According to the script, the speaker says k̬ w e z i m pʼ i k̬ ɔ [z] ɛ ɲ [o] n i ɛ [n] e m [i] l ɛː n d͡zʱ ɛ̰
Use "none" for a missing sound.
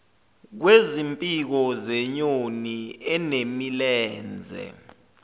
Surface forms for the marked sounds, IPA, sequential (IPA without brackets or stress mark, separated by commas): z, o, n, i